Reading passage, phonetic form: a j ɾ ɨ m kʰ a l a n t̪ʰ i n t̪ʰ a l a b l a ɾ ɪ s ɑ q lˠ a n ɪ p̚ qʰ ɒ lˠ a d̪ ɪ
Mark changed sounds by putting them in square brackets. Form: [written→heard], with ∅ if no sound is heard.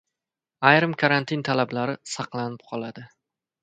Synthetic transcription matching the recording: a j ɾ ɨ m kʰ a [l→ɾ] a n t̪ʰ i n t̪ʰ a l a b l a ɾ ɪ s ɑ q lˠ a n ɪ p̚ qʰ ɒ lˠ a d̪ ɪ